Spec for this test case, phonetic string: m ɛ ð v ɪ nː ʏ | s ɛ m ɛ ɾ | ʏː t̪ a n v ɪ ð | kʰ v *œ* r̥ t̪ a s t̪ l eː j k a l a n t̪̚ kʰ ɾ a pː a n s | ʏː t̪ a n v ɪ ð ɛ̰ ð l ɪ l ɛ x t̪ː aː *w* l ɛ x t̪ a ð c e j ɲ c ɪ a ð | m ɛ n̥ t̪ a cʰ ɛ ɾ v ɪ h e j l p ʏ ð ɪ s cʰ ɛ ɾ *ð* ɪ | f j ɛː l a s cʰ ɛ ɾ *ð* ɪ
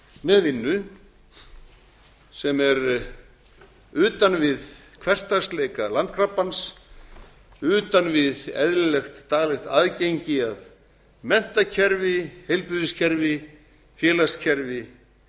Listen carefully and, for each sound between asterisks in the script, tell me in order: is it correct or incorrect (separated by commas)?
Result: incorrect, incorrect, incorrect, incorrect